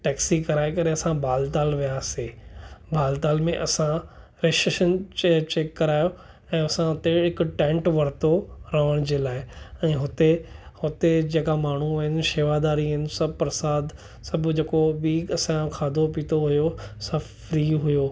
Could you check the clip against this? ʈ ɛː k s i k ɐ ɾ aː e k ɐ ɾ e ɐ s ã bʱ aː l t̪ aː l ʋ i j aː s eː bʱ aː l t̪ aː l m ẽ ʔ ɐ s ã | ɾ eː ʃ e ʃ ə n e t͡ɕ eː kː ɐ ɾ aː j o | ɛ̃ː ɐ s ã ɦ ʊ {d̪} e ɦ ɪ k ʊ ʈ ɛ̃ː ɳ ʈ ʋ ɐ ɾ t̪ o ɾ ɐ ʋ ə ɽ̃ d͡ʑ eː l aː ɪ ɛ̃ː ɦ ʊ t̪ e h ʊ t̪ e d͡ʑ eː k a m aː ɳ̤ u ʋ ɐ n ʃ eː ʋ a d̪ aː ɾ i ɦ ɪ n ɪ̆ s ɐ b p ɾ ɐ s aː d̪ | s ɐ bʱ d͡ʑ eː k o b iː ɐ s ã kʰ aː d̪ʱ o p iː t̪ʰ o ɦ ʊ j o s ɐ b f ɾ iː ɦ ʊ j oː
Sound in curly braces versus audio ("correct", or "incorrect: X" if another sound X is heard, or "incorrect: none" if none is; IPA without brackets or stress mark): incorrect: t̪